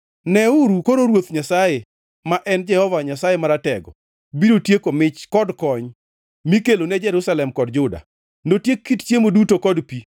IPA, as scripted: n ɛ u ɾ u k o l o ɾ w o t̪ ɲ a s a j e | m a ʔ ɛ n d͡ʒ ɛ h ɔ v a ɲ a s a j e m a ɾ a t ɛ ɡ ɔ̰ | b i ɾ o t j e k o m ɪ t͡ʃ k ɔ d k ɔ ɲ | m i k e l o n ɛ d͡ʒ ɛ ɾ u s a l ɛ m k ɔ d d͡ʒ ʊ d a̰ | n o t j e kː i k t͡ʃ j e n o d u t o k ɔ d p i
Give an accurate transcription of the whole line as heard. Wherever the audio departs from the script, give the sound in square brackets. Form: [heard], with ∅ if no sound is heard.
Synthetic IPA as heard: n ɛ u ɾ u k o [ɾ] o ɾ w o t̪ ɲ a s a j e | m a ʔ ɛ n d͡ʒ ɛ h ɔ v a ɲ a s a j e m a ɾ a t ɛ ɡ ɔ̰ | b i ɾ o t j e k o m ɪ t͡ʃ k ɔ d k ɔ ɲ | m i k e l o n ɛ d͡ʒ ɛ ɾ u s a l ɛ m k ɔ d d͡ʒ ʊ d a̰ | n o t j e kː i [t] t͡ʃ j e [m] o d u t o k ɔ d p i

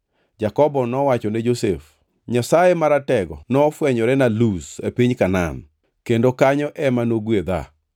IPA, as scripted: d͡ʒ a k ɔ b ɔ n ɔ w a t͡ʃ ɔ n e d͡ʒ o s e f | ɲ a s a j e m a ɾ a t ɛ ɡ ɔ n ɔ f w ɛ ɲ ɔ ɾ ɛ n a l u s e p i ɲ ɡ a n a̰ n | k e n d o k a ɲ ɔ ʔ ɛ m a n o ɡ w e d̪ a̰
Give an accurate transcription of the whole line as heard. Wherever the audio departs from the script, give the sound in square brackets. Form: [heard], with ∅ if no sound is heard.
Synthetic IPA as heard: d͡ʒ a k ɔ b ɔ n ɔ w a t͡ʃ ɔ n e d͡ʒ o s e f | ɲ a s a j e m a ɾ a t ɛ ɡ ɔ n ɔ f w ɛ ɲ ɔ ɾ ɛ n a l u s e p i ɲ [k] a n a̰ n | k e n d o k a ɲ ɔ ʔ ɛ m a n o ɡ w e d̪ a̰

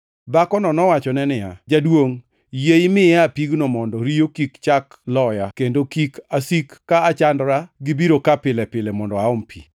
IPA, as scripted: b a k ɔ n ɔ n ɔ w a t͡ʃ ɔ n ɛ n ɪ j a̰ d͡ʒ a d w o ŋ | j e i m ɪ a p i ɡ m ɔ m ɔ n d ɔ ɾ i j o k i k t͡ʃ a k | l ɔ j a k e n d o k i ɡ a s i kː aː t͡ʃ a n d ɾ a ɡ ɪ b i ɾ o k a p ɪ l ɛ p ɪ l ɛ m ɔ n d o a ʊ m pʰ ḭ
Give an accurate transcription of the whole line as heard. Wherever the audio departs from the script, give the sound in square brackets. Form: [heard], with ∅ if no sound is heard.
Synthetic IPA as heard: b a k ɔ n ɔ n ɔ w a t͡ʃ ɔ n ɛ n ɪ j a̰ d͡ʒ a d w o ŋ | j e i m ɪ a p i ɡ [n] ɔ m ɔ n d ɔ ɾ i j o k i k t͡ʃ a k | l ɔ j a k e n d o k i [k] a s i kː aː t͡ʃ a n d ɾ a ɡ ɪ b i ɾ o k a p ɪ l ɛ p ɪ l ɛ m ɔ n d [ɔ] a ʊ m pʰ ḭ

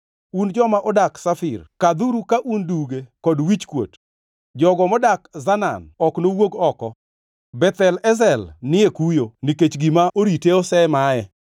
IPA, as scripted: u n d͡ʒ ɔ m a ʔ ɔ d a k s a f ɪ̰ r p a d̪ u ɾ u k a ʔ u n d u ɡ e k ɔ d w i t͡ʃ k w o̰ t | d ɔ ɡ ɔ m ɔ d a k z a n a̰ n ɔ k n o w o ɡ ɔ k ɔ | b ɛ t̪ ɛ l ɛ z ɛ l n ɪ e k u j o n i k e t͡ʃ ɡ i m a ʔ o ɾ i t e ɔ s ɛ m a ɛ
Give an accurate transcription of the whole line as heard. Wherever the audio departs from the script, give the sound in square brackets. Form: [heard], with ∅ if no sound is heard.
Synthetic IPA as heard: u n d͡ʒ ɔ m a ʔ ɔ d a k s a f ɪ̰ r [k] a d̪ u ɾ u k a ʔ u n d u ɡ e k ɔ d w i t͡ʃ k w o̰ t | [d͡ʒ] ɔ ɡ ɔ m ɔ d a k z a n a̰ n ɔ k n o w o ɡ ɔ k ɔ | b ɛ t̪ ɛ l ɛ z ɛ l n ɪ e k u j o n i k e t͡ʃ ɡ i m a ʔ o ɾ i t e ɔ s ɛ m a ɛ

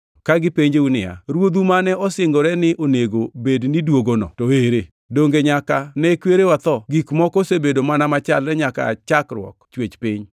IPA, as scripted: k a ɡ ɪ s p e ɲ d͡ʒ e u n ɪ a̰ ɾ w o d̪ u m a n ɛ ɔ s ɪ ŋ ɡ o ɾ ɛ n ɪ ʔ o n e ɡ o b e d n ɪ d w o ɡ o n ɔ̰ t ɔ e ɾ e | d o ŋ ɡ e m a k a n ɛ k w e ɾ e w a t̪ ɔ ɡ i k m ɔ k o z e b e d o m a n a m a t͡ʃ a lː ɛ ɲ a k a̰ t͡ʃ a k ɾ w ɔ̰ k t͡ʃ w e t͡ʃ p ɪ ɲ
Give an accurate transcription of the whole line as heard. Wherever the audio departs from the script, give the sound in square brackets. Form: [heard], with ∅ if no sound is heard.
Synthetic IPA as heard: k a ɡ ɪ [∅] p e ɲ d͡ʒ e u n ɪ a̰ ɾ w o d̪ u m a n ɛ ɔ s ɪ ŋ ɡ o ɾ ɛ n ɪ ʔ o n e ɡ o b e d n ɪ d w o ɡ o n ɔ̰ t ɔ e ɾ e | d o ŋ ɡ e [ɲ] a k a n ɛ k w e ɾ e w a t̪ ɔ ɡ i k m ɔ k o [s] e b e d o m a n a m a t͡ʃ a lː ɛ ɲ a k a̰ t͡ʃ a k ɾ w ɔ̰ k t͡ʃ w e t͡ʃ p ɪ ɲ

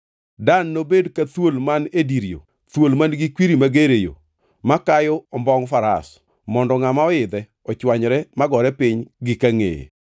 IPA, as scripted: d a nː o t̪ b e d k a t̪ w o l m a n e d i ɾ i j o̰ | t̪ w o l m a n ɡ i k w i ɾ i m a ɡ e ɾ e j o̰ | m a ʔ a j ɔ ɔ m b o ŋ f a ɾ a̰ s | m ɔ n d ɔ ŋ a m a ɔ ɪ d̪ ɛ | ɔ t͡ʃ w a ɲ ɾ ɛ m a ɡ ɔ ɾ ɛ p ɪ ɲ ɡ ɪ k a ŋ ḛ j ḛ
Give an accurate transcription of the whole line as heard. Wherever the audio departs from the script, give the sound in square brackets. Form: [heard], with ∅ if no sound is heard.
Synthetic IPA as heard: d a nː o [∅] b e d k a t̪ w o l m a n e d i ɾ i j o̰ | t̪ w o l m a n ɡ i k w i ɾ i m a ɡ e ɾ e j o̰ | m a [k] a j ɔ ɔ m b [ɔ] ŋ f a ɾ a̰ s | m ɔ n d ɔ ŋ a m a ɔ ɪ d̪ ɛ | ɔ t͡ʃ w a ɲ ɾ ɛ m a ɡ ɔ ɾ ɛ p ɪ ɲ ɡ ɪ k a ŋ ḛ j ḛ

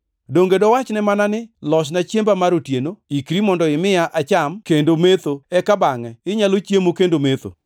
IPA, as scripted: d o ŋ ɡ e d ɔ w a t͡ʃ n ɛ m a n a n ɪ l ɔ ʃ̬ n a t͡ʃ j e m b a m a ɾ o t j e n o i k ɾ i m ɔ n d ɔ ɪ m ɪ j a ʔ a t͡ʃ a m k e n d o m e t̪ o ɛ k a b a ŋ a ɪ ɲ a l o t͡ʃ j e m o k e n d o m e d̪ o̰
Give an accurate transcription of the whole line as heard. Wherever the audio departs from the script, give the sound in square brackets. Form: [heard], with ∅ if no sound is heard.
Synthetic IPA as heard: d o ŋ ɡ e d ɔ w a t͡ʃ n ɛ m a n a n ɪ l ɔ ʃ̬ n a t͡ʃ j e m b a m a ɾ o t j e n o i k ɾ i m ɔ n d ɔ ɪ m ɪ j a ʔ a t͡ʃ a m k e n d o m e t̪ o ɛ k a b a ŋ [ɛ] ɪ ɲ a l o t͡ʃ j e m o k e n d o m e [t̪] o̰

